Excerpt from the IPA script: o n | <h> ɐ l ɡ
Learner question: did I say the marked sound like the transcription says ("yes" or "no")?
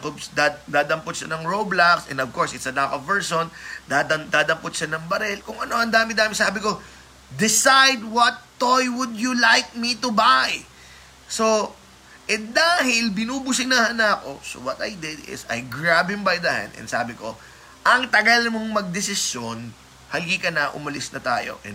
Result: yes